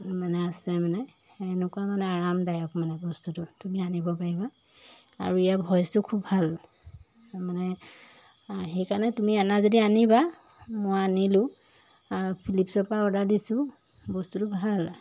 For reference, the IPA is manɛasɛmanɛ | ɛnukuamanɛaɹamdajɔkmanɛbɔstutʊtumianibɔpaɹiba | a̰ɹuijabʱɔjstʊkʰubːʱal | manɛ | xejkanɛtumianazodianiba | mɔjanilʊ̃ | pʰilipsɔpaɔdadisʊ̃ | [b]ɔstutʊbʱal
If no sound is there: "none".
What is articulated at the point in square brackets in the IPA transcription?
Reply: b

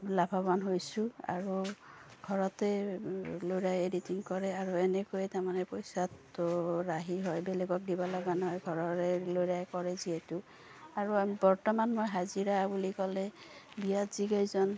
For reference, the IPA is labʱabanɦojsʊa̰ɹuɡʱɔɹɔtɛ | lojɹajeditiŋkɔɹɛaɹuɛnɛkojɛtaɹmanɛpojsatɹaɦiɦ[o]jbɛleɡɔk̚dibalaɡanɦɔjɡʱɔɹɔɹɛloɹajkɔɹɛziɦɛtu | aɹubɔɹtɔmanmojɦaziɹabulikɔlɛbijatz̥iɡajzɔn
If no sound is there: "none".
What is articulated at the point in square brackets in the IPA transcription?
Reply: ɔ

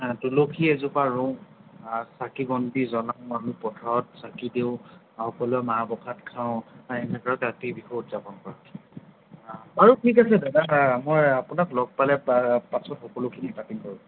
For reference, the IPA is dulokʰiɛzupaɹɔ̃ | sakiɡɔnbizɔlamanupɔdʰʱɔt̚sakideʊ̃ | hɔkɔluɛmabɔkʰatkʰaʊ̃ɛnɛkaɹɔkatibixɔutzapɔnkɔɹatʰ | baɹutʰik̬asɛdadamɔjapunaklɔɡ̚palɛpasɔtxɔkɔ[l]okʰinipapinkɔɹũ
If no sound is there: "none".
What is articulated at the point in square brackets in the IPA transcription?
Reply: l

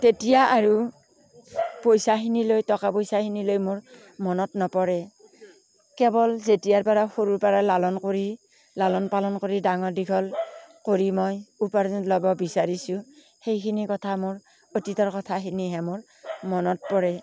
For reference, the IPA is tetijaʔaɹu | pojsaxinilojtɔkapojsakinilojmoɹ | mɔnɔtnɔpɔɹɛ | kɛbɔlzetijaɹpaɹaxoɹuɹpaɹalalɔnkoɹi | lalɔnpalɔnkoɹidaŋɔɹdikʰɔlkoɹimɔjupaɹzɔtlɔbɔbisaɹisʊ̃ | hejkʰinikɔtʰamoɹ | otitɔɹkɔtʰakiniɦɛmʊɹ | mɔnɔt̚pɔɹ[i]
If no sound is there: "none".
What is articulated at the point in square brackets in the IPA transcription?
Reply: ɛ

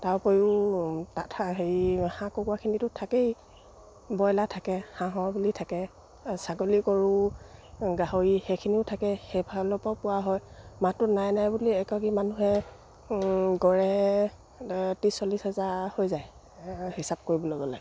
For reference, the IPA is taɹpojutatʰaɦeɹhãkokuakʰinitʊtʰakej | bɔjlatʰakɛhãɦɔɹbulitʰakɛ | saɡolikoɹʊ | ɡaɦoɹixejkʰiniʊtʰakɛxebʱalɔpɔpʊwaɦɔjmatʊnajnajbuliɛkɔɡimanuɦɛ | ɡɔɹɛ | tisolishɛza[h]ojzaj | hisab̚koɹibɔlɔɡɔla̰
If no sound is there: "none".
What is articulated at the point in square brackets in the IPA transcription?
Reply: h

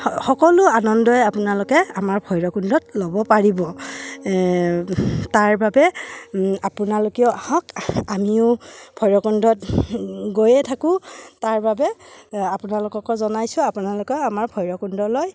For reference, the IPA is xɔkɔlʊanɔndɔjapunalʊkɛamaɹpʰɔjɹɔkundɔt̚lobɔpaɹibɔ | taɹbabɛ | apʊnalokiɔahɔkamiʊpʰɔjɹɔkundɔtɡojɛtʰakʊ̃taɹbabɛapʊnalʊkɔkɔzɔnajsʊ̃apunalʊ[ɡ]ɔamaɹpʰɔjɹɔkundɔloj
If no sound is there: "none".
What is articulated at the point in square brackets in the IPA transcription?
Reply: k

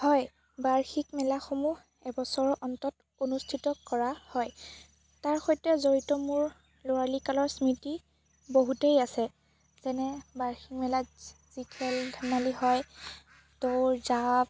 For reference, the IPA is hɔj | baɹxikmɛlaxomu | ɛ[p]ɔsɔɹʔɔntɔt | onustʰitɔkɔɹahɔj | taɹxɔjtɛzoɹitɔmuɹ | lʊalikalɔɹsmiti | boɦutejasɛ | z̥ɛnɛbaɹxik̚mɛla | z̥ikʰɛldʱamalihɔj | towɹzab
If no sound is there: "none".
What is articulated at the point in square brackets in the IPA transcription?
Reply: b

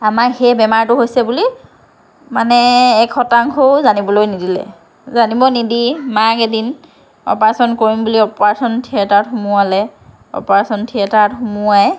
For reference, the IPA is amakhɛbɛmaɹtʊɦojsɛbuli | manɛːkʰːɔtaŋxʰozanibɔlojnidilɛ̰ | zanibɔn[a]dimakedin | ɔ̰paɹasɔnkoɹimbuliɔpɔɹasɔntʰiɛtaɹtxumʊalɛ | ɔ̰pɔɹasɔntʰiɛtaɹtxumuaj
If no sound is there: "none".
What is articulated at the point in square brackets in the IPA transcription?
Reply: i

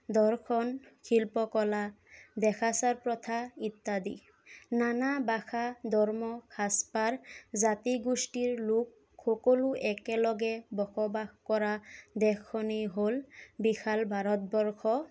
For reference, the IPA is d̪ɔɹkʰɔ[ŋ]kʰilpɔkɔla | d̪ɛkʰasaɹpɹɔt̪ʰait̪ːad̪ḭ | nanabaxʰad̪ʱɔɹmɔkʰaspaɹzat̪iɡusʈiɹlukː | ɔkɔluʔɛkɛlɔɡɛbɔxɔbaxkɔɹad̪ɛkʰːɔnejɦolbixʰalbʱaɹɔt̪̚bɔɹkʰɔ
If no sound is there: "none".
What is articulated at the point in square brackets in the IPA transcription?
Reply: n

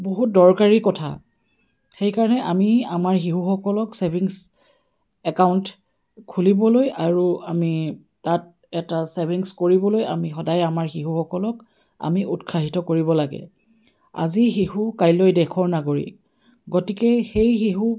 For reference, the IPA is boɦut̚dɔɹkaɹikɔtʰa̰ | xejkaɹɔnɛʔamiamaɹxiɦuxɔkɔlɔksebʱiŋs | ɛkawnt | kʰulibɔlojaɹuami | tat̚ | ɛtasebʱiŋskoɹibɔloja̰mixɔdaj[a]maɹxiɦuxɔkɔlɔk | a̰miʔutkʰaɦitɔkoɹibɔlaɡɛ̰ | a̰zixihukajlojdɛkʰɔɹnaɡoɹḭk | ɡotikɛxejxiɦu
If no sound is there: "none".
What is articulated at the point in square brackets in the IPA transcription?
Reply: a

